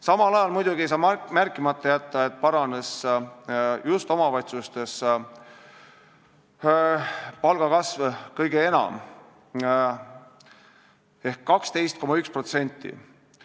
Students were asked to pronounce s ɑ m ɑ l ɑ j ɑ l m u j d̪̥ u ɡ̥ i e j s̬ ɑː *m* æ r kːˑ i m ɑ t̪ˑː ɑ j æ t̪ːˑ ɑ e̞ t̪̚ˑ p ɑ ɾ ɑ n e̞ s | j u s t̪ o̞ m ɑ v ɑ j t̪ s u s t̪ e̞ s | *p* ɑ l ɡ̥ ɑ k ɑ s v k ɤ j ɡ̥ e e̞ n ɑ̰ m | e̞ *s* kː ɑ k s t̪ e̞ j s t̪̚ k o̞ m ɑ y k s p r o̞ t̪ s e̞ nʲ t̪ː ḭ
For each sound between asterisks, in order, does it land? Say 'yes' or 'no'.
yes, yes, no

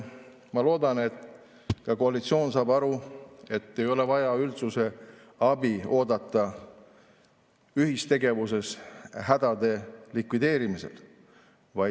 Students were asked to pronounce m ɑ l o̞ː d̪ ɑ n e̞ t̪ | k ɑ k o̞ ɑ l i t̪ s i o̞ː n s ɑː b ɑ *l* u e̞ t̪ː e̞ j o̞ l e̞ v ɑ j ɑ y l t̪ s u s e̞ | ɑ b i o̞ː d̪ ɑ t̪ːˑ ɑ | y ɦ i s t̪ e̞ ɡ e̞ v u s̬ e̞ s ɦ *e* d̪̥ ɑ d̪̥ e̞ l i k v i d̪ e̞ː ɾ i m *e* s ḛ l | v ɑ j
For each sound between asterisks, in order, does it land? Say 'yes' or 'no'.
no, no, no

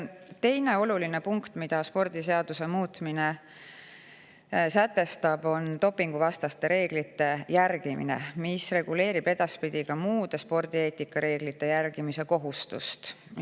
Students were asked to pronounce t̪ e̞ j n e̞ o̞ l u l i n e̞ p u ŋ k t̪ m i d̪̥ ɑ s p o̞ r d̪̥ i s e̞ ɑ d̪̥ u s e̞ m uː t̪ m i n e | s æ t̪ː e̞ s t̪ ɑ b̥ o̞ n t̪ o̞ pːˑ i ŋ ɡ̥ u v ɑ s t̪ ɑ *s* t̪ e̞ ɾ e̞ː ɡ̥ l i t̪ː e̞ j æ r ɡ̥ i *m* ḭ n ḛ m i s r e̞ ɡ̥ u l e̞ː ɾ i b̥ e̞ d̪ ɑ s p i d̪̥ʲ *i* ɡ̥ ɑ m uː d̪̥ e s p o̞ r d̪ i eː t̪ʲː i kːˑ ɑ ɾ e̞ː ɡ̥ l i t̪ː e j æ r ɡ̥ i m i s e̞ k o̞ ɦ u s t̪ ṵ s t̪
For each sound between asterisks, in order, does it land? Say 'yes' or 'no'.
yes, yes, yes

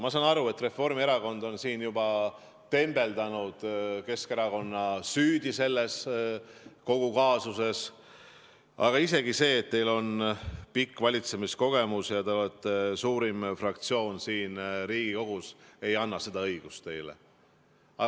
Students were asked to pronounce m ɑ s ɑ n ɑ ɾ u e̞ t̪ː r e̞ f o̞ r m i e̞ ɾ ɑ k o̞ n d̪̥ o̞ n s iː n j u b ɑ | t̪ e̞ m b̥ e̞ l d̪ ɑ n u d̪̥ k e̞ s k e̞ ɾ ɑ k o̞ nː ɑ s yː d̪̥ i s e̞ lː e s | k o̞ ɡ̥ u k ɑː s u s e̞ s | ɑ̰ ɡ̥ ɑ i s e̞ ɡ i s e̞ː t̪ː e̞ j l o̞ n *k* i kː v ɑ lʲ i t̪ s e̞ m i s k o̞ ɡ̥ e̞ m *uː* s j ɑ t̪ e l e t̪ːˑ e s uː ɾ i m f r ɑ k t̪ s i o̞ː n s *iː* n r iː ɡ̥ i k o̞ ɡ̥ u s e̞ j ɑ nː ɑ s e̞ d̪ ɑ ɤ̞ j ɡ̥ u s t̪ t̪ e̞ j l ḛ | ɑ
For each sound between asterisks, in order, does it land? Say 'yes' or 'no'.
no, no, yes

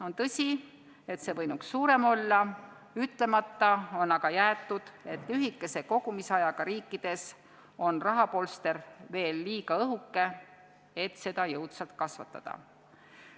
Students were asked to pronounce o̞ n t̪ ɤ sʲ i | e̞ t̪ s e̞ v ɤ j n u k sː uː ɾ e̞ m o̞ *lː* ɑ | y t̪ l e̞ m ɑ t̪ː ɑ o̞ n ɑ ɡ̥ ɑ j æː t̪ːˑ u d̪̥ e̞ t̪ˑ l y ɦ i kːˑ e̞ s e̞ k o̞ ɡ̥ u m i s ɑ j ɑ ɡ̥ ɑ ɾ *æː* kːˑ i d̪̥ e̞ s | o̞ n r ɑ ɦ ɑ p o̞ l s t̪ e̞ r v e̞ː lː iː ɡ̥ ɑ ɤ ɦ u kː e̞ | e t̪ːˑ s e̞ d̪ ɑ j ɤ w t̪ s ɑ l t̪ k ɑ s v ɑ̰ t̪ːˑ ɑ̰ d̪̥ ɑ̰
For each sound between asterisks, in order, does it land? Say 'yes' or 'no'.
yes, no

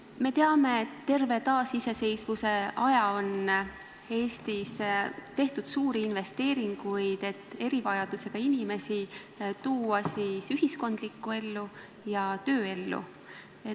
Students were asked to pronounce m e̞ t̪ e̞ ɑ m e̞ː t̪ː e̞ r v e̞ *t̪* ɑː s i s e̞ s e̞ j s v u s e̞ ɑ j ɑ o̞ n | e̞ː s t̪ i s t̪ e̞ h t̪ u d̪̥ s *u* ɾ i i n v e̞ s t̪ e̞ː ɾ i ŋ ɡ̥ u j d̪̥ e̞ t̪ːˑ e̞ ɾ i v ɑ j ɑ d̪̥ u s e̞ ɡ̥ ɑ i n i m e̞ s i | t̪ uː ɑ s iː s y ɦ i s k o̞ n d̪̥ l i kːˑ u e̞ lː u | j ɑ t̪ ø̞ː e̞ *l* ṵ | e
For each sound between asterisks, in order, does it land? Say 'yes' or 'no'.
yes, no, no

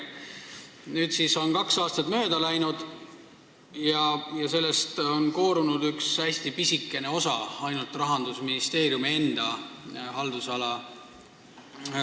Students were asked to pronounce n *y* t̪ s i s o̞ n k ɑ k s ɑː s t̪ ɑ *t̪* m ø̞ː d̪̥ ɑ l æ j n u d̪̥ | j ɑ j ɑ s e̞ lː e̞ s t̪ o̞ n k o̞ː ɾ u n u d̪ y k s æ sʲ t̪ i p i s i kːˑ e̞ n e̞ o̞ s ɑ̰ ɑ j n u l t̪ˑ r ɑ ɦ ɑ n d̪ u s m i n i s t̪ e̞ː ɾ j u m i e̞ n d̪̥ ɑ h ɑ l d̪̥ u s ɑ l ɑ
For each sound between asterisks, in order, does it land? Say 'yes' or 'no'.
no, yes

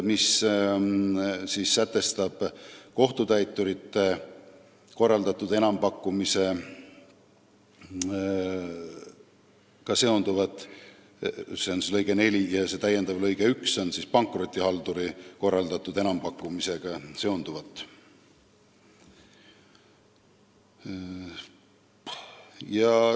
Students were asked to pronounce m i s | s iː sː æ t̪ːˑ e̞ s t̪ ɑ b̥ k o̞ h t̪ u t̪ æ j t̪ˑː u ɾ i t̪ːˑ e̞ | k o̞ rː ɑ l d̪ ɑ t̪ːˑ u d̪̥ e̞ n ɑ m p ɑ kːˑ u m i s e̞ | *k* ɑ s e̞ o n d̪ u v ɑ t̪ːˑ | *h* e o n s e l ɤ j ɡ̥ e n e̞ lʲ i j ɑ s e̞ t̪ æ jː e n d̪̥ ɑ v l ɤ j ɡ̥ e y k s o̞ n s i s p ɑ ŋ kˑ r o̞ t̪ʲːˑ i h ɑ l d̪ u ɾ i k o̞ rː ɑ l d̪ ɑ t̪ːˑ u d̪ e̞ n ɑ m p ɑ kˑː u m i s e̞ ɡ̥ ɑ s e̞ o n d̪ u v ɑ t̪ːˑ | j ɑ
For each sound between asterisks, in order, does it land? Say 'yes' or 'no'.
yes, no

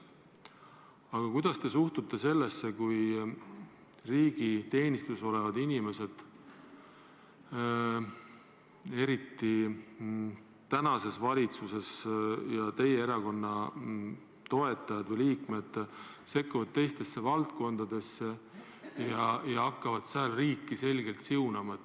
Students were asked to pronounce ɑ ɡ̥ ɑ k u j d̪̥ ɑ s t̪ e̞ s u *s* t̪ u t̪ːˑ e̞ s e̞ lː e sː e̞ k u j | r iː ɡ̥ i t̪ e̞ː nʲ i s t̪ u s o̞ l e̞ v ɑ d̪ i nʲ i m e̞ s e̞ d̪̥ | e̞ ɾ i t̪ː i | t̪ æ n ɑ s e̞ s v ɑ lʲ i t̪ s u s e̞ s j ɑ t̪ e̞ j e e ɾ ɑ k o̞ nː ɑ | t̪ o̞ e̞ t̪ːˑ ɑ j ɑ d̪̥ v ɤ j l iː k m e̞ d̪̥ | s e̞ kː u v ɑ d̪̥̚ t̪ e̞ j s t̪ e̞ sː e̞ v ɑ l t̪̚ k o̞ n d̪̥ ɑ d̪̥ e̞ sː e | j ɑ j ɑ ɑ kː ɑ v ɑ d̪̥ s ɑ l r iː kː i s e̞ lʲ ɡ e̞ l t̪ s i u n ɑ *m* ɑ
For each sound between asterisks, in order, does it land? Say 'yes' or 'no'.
no, yes

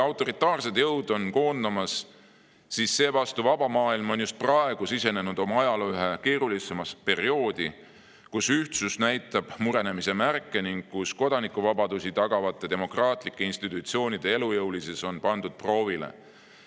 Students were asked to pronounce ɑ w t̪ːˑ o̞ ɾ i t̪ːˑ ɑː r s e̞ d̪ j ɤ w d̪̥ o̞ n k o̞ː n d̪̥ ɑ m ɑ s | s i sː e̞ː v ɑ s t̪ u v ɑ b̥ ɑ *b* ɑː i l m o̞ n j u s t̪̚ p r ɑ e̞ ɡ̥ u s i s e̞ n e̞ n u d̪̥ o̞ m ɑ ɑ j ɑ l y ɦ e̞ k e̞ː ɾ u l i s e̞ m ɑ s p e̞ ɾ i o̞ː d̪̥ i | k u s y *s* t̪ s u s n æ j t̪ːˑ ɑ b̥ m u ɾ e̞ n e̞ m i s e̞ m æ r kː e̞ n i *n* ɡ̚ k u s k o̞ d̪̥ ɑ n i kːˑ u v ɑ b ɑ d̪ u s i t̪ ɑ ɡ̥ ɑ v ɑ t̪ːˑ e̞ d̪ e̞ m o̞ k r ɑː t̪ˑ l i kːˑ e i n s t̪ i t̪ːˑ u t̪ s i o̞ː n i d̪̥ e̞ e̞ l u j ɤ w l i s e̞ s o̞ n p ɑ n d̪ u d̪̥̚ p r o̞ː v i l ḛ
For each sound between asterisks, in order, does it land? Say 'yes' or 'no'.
no, no, no

